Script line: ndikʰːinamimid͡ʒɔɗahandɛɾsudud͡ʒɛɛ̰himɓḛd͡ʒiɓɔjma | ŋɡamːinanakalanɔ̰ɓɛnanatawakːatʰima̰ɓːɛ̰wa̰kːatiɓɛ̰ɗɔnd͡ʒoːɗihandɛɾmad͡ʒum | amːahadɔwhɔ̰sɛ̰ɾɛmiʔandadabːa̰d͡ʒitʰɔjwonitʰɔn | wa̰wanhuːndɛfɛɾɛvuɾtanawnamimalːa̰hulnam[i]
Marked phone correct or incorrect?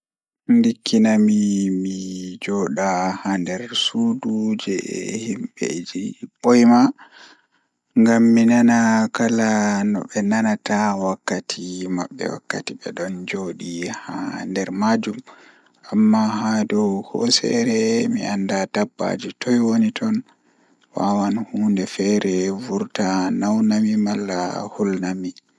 correct